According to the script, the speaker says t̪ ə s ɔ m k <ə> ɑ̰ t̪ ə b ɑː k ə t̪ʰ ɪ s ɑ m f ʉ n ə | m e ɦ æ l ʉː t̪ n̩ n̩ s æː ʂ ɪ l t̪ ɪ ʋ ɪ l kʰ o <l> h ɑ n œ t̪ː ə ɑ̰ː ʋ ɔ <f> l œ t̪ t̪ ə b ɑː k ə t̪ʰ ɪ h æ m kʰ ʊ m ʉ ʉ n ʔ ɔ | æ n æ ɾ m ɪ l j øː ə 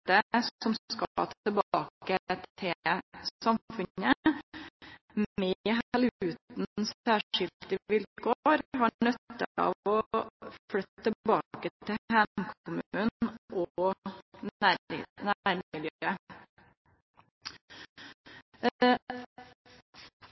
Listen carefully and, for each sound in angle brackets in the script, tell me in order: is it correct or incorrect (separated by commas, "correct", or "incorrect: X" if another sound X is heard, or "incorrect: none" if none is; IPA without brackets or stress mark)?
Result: incorrect: ɑ, incorrect: ɾ, correct